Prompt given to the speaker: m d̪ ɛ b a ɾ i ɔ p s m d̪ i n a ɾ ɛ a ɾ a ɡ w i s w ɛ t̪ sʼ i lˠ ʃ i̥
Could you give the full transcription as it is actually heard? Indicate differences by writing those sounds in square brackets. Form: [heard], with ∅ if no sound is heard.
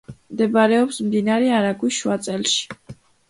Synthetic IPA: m d̪ ɛ b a ɾ [ɛ] ɔ p s m d̪ i n a ɾ ɛ a ɾ a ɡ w i [ʃ] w [a] t̪ sʼ [ɛ] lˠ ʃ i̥